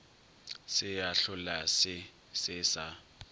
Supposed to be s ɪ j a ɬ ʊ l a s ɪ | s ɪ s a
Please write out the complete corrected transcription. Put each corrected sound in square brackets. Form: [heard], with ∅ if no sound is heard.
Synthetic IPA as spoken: s ɪ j a ɬ ʊ l a s ɪ | s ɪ s a